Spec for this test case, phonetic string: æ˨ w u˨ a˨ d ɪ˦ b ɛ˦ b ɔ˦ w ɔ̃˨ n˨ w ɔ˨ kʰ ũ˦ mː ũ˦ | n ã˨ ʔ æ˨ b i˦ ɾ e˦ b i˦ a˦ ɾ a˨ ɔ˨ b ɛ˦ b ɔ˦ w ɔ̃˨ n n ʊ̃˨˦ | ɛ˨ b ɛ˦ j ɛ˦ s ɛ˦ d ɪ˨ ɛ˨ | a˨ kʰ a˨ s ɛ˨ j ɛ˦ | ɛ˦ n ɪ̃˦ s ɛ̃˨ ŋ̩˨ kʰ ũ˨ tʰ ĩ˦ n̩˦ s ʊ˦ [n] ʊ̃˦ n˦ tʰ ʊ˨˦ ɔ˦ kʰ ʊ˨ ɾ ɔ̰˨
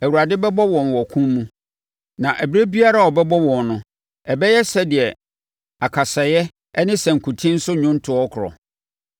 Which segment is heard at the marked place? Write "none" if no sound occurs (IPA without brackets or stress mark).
ɲ